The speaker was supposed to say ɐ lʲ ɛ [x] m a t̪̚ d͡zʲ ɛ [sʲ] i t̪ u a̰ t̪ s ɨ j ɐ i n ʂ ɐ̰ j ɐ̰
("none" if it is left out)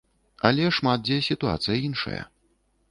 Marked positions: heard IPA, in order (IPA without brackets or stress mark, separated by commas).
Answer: ʂ, sʲ